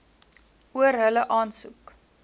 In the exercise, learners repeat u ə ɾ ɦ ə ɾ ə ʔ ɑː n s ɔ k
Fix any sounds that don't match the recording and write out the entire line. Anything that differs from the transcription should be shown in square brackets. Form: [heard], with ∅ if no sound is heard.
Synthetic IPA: u ə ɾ ɦ ə [l] ə ʔ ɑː n s [u] k